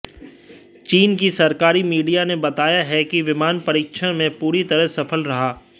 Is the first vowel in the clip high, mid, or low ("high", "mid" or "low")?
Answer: high